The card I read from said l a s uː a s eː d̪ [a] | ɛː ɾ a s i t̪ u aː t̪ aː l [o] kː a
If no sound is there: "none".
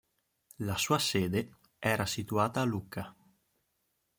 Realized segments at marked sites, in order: e, u

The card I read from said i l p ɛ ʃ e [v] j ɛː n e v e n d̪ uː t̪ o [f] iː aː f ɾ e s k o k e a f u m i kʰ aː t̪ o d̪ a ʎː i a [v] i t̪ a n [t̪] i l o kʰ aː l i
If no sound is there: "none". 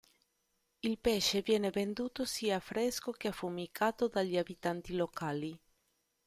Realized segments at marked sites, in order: v, s, b, t̪

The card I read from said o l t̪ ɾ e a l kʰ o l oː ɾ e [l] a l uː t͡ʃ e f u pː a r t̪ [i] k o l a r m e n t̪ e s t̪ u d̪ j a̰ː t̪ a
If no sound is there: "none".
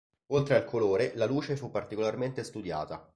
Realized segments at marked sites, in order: l, i

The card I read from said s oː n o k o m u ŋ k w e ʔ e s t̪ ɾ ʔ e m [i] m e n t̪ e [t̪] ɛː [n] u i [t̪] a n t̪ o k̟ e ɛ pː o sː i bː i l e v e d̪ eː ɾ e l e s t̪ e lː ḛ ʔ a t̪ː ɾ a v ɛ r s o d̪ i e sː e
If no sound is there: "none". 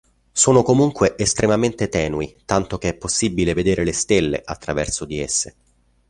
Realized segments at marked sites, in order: a, t̪, n, t̪

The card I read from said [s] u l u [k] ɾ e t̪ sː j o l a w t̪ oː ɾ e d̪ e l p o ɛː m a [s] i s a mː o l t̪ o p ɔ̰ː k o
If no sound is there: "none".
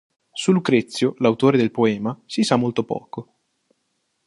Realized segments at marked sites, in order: s, k, s

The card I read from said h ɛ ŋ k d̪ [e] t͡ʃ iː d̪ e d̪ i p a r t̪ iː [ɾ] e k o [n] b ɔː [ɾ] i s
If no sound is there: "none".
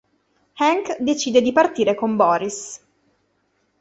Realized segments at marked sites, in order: e, ɾ, m, ɾ

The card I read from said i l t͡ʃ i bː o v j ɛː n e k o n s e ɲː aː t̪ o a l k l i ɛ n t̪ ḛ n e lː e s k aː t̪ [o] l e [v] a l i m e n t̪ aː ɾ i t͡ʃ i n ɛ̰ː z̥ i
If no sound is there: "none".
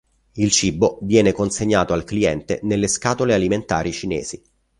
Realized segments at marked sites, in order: o, none

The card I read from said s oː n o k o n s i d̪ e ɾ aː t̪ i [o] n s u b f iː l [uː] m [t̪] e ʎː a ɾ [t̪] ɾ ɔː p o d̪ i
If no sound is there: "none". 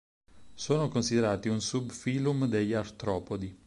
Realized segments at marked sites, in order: u, u, d̪, t̪

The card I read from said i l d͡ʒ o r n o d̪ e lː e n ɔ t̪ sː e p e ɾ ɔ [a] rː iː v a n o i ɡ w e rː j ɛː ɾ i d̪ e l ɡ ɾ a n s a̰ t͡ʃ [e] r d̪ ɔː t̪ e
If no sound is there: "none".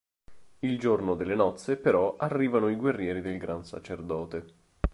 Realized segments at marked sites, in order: a, e

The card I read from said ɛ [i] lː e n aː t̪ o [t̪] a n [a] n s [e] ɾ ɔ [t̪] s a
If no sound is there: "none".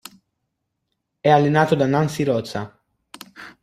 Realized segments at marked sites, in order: a, d̪, a, i, t̪

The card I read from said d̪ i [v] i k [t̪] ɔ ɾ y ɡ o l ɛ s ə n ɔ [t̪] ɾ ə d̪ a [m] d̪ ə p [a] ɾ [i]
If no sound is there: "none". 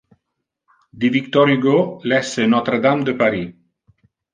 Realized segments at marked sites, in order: v, t̪, t̪, m, a, i

